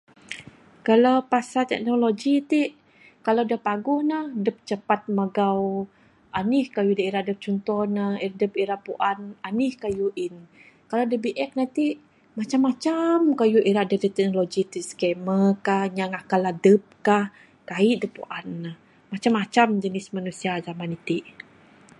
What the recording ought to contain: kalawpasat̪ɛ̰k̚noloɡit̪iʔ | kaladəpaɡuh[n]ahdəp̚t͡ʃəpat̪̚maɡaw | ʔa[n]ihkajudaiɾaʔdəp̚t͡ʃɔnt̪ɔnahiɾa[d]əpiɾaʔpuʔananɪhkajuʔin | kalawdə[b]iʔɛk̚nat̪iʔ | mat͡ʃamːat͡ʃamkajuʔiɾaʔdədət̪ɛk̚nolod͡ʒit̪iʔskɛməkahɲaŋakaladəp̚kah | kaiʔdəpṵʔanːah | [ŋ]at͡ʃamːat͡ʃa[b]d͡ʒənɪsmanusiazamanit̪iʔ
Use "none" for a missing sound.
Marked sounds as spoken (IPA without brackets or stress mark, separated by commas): n, n, d, b, m, m